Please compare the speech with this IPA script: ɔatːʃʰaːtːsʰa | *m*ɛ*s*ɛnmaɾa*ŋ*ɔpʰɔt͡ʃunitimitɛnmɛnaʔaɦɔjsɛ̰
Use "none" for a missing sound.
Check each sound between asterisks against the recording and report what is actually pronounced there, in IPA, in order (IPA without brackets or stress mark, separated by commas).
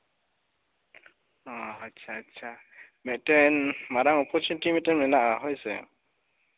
m, t, ŋ